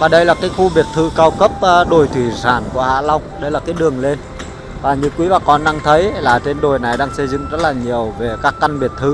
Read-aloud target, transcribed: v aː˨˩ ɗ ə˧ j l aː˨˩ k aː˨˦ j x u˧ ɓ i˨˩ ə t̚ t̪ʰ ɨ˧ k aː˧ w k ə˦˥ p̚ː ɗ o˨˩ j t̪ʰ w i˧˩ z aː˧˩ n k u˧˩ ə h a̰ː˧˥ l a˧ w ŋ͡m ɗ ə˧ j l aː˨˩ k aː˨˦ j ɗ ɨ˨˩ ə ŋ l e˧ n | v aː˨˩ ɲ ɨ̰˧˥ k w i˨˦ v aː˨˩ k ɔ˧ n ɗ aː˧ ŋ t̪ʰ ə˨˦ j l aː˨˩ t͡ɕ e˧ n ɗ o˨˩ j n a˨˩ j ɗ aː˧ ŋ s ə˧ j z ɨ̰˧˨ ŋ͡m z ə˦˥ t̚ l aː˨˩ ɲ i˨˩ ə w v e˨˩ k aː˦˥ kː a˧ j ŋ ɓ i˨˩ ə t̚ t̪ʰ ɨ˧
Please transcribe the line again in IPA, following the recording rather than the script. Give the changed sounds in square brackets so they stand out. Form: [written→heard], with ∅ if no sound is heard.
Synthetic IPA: v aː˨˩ ɗ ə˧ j l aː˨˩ k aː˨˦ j x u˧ ɓ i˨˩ ə t̚ t̪ʰ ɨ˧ k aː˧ w k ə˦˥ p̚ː ɗ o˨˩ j t̪ʰ w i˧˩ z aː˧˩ n k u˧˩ ə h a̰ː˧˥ l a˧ w ŋ͡m ɗ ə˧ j l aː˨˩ k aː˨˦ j ɗ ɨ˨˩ ə ŋ l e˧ n | v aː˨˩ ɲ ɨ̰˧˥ k w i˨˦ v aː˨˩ k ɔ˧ n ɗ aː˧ ŋ t̪ʰ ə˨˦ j l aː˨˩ t͡ɕ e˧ n ɗ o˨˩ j n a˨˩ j ɗ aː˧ ŋ s ə˧ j z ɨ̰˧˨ ŋ͡m z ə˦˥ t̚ l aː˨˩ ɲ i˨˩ ə w v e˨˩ k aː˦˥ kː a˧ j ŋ ɓ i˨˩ ə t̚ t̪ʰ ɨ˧

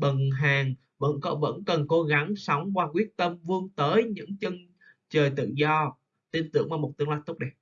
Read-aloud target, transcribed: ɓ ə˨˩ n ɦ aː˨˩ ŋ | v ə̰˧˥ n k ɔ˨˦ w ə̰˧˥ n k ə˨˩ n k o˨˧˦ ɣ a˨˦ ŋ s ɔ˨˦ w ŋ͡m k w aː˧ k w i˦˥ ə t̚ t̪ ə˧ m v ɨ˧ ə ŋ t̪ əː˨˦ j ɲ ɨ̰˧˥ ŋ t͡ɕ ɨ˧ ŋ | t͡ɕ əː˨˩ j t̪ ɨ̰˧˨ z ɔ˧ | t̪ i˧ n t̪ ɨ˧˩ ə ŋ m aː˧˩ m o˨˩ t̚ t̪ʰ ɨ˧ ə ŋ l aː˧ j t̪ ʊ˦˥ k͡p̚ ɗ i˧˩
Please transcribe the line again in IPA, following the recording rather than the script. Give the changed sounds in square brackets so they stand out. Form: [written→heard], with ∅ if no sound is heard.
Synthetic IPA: ɓ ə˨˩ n ɦ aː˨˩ ŋ | v ə̰˧˥ n k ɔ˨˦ [w→v] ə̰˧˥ n k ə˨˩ n k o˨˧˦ ɣ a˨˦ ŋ s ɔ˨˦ w ŋ͡m k w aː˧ k w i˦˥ ə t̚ t̪ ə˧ m v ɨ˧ ə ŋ t̪ əː˨˦ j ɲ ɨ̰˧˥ ŋ t͡ɕ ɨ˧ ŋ | t͡ɕ əː˨˩ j t̪ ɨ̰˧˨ z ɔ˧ | t̪ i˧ n t̪ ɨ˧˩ ə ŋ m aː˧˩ m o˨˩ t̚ [t̪ʰ→t̪] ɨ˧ ə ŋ l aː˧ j t̪ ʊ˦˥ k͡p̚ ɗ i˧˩

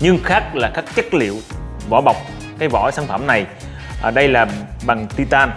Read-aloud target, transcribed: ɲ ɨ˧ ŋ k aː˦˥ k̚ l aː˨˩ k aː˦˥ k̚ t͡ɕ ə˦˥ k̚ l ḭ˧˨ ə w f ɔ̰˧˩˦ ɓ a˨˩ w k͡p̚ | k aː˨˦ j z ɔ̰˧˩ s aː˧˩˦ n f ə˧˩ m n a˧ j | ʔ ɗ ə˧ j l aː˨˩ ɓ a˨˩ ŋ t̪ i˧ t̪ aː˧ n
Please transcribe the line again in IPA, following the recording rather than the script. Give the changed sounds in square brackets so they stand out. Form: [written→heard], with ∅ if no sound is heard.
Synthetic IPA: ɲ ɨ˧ ŋ [k→x] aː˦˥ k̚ l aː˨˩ k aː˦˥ k̚ t͡ɕ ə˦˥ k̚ l ḭ˧˨ ə w [f→v] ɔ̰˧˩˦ ɓ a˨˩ w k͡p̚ | k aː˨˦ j [z→v] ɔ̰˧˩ s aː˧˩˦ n f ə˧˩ m n [a˧→a˨˩] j | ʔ ɗ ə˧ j l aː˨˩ ɓ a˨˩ ŋ t̪ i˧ t̪ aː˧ n

